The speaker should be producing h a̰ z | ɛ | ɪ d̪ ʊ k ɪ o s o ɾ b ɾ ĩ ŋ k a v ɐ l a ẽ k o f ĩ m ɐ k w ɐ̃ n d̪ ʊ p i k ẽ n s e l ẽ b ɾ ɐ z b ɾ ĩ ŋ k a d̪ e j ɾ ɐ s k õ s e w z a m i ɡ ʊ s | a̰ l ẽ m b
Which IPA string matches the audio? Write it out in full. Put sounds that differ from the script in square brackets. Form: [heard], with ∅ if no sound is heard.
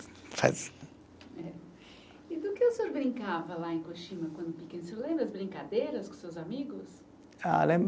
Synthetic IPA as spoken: [f] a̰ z | ɛ | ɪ d̪ ʊ k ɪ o s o ɾ b ɾ ĩ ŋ k a v ɐ l a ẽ k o [ʃ] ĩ m ɐ k w ɐ̃ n d̪ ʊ p i k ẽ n s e l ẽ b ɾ ɐ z b ɾ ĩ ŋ k a d̪ e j ɾ ɐ s k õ s e w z a m i ɡ ʊ s | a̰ l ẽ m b